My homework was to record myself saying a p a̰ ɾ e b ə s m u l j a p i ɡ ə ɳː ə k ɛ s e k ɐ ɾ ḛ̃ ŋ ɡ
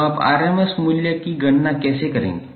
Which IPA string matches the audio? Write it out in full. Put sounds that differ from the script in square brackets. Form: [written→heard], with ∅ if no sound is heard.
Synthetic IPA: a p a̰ ɾ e [b→m] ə s m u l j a [p→k] i ɡ ə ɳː [ə→a] k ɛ s e k [ɐ→ə] ɾ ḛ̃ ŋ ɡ